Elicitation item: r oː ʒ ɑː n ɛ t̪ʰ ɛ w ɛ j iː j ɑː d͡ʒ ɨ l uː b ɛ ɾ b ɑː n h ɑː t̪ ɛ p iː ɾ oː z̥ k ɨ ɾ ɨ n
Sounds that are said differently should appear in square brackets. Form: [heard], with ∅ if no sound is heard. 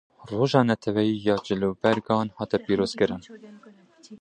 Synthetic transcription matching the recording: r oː ʒ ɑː n ɛ t̪ʰ ɛ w ɛ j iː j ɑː d͡ʒ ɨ l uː b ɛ ɾ [ɡ] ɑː n h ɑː t̪ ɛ p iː ɾ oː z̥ k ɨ ɾ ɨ n